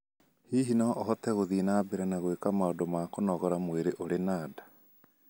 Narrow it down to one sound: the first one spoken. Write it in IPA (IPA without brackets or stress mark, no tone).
h